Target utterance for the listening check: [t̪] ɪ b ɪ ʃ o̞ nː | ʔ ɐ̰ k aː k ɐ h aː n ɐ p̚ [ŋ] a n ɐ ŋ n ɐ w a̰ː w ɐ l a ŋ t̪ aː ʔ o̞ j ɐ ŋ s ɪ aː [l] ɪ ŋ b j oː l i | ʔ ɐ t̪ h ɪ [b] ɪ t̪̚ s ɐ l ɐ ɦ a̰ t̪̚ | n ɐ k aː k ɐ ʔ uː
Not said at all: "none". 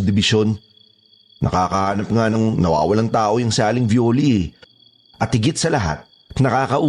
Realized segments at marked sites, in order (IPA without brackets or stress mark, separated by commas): d̪, ŋ, l, ɡ